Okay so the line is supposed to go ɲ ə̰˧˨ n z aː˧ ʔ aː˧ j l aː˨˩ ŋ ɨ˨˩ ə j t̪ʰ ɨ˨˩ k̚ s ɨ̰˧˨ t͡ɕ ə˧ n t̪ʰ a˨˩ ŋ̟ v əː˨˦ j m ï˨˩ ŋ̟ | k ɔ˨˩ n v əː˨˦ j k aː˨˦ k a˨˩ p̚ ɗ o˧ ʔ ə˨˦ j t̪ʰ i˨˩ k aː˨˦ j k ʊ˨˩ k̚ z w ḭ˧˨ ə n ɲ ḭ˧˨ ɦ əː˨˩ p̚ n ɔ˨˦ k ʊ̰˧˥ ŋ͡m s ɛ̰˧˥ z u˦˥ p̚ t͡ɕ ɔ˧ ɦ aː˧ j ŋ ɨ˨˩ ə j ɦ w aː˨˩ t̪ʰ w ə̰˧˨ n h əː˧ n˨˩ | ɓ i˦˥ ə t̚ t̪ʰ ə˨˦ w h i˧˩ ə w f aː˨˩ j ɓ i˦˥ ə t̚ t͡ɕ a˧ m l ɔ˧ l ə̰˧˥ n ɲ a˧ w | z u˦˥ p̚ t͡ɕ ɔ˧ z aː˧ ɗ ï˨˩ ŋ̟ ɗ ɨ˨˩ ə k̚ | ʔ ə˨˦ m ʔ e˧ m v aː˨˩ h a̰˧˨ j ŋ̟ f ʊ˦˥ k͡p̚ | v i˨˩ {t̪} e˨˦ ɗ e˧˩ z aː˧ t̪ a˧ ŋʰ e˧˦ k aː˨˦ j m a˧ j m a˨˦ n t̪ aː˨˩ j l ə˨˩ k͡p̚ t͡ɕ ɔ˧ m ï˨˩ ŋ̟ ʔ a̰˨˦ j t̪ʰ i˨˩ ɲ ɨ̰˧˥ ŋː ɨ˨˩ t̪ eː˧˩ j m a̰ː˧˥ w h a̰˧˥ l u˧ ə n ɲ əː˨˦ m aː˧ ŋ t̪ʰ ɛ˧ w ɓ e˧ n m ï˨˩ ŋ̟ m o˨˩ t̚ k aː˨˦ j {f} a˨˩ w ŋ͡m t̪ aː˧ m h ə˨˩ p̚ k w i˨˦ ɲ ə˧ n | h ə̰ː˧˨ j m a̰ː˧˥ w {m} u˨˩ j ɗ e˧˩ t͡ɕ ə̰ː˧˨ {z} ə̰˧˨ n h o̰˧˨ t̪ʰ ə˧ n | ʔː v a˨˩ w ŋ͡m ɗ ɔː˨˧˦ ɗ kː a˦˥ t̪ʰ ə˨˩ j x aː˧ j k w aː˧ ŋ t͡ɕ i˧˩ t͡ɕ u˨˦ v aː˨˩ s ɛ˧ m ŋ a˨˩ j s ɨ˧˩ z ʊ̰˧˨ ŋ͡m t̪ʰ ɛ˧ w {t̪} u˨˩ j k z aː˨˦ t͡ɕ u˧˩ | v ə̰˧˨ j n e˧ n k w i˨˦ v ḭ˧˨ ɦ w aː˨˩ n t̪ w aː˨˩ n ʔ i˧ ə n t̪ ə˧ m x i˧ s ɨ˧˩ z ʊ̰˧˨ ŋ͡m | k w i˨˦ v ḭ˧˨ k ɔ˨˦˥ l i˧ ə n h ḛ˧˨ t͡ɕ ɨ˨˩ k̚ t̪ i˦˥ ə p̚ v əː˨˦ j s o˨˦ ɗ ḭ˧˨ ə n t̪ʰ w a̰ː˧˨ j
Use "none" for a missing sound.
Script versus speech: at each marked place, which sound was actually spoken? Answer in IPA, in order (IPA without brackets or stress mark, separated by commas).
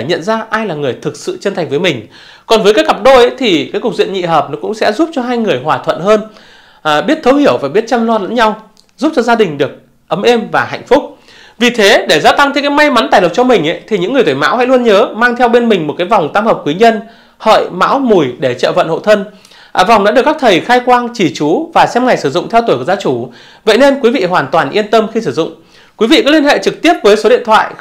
t̪ʰ, v, m, v, t̪